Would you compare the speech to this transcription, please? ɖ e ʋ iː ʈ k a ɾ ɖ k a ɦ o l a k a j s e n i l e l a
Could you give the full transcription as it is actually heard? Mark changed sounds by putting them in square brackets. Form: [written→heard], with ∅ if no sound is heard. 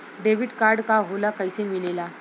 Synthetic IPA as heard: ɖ e ʋ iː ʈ k a ɾ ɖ k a ɦ o l a k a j s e [n→m] i l e l a

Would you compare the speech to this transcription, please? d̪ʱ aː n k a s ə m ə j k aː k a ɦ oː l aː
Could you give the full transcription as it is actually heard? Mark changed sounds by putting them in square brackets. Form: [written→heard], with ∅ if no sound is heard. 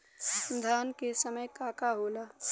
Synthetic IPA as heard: d̪ʱ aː n k [a→e] s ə m ə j k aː k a ɦ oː l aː

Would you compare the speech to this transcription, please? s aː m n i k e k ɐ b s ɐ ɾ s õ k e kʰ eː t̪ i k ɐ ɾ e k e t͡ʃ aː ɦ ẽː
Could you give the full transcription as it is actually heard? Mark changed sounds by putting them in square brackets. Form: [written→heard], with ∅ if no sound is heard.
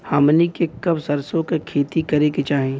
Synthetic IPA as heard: [s→h] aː m n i k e k ɐ b s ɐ ɾ s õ k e kʰ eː t̪ i k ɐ ɾ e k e t͡ʃ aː ɦ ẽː

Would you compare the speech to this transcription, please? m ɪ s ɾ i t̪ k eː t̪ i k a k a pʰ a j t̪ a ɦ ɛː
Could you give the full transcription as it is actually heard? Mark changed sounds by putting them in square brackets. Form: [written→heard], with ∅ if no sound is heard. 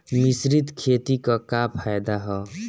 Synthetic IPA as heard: m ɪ s ɾ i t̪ [k→kʰ] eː t̪ i k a k a pʰ a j [t̪→d̪] a ɦ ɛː

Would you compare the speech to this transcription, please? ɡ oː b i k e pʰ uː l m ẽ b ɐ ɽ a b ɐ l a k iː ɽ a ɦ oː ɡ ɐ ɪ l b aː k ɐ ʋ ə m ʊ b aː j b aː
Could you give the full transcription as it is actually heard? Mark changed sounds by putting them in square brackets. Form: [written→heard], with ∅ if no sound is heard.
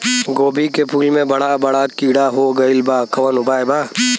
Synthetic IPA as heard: ɡ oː b i k e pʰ uː l m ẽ b ɐ ɽ a b ɐ [l→ɽ] a k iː ɽ a ɦ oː ɡ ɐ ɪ l b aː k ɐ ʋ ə [m→n] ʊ b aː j b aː

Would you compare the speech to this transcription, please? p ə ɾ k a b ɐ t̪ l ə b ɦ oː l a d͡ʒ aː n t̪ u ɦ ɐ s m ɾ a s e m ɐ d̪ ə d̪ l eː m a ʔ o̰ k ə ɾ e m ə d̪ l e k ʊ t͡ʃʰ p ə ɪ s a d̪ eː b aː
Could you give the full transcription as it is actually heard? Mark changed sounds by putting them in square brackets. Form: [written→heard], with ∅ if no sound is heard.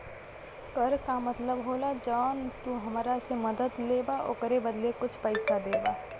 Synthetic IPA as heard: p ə ɾ k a [b→m] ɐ t̪ l ə b ɦ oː l a d͡ʒ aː n t̪ u ɦ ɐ [s→∅] m ɾ a s e m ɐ d̪ ə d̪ l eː [m→b] a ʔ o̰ k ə ɾ e [m→b] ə d̪ l e k ʊ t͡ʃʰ p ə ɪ s a d̪ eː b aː

